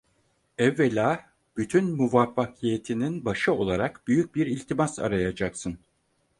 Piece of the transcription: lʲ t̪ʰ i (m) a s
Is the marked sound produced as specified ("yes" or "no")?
yes